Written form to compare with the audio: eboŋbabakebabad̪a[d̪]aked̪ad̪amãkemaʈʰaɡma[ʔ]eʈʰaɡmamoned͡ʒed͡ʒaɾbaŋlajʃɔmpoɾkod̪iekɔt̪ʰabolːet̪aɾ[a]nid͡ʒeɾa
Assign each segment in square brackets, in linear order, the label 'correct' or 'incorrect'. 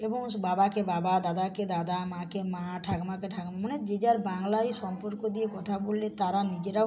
correct, incorrect: k, correct

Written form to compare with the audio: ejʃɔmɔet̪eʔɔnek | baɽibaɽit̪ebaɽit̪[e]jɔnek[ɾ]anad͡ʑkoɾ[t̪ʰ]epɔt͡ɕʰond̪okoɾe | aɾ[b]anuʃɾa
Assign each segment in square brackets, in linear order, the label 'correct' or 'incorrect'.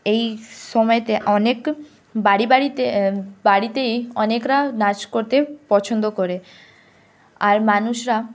correct, correct, incorrect: t̪, incorrect: m

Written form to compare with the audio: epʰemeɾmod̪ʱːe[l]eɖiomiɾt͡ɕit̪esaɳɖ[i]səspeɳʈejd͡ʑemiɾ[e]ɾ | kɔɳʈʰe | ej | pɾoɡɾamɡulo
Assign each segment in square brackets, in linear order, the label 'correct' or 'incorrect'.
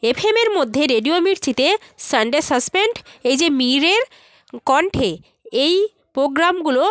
incorrect: ɾ, incorrect: e, correct

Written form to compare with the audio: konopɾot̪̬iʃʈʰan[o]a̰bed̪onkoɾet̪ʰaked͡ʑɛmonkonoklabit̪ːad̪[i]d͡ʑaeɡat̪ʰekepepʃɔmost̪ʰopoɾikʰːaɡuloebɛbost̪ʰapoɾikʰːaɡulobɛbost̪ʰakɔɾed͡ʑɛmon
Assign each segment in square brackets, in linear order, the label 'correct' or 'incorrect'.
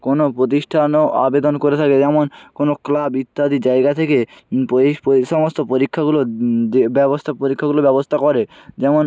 correct, correct

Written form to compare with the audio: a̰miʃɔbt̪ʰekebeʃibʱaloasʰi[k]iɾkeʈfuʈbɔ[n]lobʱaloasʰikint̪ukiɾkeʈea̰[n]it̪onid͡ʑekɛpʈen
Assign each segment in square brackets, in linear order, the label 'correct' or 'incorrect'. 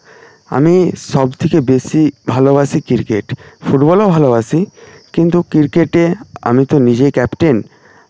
correct, incorrect: none, incorrect: m

